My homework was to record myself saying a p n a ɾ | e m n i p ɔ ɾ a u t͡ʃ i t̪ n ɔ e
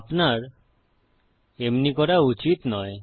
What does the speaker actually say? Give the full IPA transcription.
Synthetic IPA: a p n a ɾ | e m n i k ɔ ɾ a u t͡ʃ i t̪ n ɔ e